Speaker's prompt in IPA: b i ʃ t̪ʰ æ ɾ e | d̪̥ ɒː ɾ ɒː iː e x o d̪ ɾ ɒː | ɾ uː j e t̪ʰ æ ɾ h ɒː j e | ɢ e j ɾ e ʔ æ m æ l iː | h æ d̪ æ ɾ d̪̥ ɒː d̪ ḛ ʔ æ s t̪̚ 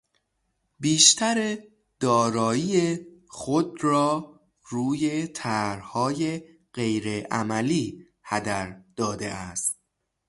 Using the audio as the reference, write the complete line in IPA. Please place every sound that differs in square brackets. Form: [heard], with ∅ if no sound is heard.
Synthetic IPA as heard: b [iː] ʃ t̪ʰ æ ɾ e | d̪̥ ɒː ɾ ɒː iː e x o d̪ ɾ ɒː | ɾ uː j e t̪ʰ æ ɾ h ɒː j e | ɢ e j ɾ e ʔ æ m æ l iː | h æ d̪ æ ɾ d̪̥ ɒː d̪ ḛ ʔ æ s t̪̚